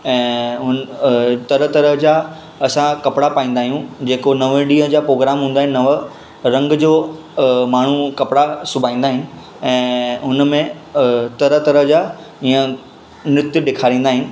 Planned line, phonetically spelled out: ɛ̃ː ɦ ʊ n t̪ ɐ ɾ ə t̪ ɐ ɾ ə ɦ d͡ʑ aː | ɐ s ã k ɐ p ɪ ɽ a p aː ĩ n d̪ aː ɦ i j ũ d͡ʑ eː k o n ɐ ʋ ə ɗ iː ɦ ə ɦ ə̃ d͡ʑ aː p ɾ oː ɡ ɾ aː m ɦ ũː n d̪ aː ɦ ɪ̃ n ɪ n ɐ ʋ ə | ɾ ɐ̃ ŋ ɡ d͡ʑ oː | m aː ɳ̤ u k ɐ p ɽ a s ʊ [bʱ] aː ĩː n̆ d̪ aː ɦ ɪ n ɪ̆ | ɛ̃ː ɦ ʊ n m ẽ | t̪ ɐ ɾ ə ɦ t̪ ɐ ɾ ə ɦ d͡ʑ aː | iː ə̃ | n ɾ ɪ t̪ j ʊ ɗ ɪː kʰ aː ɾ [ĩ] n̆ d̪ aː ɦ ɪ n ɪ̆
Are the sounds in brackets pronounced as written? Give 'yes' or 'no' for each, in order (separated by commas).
yes, no